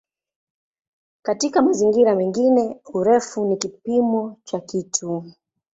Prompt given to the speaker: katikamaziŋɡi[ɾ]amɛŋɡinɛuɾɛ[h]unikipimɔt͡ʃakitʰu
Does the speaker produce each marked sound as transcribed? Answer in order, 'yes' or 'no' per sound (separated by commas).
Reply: yes, no